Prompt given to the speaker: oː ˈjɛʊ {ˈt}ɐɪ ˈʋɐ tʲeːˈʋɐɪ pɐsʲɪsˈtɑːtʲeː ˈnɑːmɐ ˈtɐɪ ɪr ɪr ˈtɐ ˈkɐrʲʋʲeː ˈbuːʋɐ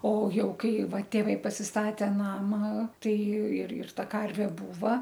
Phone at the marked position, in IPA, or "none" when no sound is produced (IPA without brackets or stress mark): k